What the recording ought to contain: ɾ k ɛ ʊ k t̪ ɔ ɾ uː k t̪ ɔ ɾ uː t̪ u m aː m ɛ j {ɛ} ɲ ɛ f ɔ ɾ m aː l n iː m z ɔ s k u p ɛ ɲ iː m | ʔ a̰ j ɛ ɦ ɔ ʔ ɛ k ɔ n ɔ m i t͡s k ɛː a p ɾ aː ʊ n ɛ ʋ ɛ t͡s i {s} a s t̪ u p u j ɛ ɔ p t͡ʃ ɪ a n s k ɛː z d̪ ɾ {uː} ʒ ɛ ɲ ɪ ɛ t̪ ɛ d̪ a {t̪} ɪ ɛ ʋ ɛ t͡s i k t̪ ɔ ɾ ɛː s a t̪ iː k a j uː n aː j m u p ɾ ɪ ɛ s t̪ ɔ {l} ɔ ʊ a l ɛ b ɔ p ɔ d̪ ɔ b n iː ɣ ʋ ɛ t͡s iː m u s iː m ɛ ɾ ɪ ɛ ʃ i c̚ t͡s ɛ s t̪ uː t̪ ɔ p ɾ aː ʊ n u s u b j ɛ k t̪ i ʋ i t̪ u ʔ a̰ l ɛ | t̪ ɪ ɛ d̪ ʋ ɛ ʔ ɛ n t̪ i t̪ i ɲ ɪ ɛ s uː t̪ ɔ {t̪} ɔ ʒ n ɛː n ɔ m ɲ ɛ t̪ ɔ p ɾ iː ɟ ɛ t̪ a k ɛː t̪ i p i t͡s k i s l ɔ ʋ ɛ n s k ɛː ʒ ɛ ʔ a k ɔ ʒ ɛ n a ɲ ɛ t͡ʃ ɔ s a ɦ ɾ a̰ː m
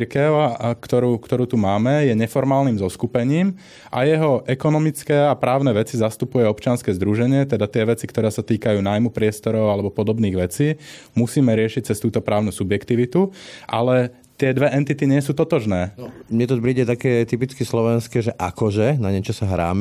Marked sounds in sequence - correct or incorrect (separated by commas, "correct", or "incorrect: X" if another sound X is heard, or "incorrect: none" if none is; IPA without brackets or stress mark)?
correct, incorrect: z, incorrect: u, correct, incorrect: ɾ, correct